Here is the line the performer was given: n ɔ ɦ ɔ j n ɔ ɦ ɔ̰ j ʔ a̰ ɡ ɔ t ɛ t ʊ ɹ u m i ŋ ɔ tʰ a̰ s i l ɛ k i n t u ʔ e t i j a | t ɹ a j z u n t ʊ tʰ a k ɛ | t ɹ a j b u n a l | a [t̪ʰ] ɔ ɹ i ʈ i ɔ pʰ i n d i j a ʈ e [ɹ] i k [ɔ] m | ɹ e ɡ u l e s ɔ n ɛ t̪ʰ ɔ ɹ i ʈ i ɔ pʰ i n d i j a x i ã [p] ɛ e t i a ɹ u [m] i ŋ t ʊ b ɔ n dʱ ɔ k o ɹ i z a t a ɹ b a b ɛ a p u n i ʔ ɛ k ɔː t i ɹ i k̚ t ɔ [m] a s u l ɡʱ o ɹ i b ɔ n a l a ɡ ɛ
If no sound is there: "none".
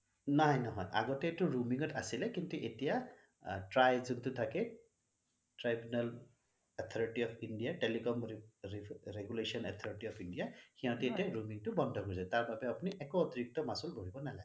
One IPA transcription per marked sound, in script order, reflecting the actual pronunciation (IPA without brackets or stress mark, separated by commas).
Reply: t̪ʰ, l, ɔ, t, m, m